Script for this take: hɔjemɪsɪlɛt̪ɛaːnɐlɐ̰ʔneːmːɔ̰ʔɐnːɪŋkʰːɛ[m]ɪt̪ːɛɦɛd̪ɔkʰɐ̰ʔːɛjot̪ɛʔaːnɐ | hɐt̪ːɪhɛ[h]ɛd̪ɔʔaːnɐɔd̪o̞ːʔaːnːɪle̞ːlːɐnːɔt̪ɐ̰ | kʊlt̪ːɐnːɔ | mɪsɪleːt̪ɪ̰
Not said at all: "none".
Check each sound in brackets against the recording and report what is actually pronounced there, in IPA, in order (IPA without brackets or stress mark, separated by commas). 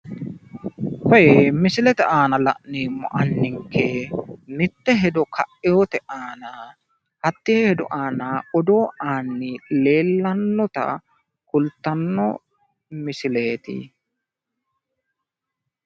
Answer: m, h